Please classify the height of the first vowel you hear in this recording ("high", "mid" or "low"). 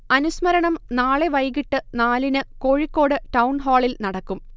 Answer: low